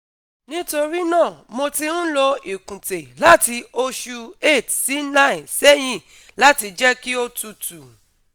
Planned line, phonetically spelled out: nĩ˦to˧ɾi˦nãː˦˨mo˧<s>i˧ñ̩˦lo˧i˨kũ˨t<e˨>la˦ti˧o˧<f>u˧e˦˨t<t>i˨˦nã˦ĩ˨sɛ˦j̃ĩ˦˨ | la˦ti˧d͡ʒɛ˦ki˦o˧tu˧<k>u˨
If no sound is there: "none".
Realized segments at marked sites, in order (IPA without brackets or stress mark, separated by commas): t, e˨, ʃ, s, t